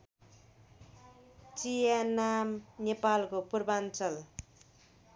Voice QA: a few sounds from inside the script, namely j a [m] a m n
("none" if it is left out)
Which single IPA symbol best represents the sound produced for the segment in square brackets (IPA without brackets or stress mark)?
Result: n